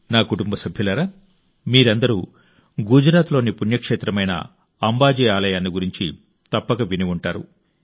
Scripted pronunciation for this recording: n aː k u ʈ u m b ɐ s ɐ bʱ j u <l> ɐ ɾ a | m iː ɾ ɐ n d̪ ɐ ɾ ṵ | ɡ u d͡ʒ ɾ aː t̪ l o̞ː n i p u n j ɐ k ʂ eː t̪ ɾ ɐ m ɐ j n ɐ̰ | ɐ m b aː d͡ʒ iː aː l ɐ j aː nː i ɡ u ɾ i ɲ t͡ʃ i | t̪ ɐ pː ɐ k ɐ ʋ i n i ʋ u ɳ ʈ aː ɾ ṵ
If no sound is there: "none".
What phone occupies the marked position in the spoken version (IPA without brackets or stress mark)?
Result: l